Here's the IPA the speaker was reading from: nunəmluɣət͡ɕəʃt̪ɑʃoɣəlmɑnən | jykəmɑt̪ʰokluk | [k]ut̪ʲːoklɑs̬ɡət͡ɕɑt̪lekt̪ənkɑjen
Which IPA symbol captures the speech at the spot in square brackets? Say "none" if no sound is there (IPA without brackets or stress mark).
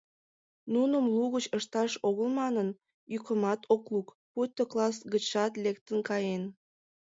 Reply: p